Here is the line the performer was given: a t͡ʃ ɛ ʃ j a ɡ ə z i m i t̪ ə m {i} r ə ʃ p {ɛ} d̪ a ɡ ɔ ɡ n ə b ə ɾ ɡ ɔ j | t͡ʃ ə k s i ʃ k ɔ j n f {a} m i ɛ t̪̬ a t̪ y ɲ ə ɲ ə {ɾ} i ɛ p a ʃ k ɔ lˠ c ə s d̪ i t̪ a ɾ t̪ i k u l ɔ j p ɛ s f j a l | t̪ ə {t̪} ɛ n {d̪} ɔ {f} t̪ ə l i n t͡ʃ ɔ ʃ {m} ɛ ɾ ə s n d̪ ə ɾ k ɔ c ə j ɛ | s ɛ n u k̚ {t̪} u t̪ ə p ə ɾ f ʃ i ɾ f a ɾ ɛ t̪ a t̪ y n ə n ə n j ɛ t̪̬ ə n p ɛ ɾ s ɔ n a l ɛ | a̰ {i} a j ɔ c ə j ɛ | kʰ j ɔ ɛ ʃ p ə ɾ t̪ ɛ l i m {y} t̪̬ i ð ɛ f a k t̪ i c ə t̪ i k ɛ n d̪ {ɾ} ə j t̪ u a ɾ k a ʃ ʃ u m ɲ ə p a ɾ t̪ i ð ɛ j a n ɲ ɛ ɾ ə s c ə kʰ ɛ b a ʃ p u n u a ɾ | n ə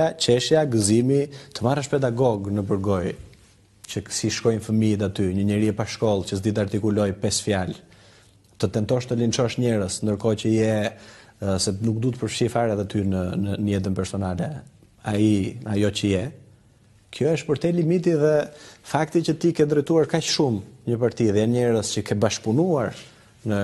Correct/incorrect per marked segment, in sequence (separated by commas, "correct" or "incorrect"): incorrect, correct, incorrect, correct, correct, incorrect, incorrect, incorrect, incorrect, correct, incorrect, correct